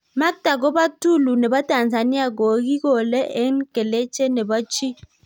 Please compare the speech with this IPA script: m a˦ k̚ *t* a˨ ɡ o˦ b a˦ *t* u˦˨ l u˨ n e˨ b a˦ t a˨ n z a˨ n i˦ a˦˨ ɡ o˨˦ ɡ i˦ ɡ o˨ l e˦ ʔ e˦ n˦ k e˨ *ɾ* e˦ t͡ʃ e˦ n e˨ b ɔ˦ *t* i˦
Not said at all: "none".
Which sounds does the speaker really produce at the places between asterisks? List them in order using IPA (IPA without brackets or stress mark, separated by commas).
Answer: t, t, l, t͡ʃ